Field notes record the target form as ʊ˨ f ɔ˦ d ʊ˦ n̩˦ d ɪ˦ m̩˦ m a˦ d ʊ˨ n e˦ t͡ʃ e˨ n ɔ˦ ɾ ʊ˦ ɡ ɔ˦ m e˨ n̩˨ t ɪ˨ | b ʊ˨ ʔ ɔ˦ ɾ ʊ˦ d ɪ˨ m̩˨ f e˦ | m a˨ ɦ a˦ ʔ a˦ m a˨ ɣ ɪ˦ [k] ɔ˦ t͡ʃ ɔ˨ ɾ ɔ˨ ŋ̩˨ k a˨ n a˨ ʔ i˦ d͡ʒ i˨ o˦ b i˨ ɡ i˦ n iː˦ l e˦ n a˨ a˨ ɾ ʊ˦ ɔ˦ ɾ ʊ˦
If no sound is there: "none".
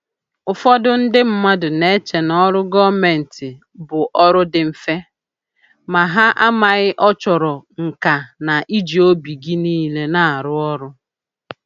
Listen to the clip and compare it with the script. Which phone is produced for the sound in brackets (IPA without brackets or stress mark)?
ʔ